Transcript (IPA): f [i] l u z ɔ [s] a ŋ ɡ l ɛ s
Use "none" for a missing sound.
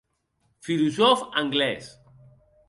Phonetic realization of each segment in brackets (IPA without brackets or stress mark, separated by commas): i, f